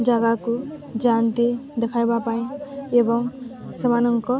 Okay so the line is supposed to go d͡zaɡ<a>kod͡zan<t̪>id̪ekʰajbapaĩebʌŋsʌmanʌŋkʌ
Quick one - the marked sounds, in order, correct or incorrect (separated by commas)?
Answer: correct, correct